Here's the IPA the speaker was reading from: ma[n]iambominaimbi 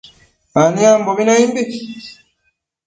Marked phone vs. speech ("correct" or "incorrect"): correct